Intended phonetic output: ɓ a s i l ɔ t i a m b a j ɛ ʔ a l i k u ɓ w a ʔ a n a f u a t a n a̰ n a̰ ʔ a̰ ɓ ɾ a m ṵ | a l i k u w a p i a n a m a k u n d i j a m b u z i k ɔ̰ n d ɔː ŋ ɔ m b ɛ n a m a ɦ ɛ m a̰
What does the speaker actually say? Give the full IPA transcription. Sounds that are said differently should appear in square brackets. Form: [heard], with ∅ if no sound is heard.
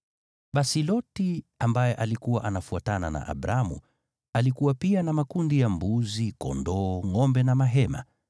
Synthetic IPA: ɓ a s i l ɔ t i a m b a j ɛ ʔ a l i k u [∅] w a ʔ a n a f u a t a n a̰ n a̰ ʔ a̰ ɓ ɾ a m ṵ | a l i k u w a p i a n a m a k u n d i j a m b u z i k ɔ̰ n d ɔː ŋ ɔ m b ɛ n a m a ɦ ɛ m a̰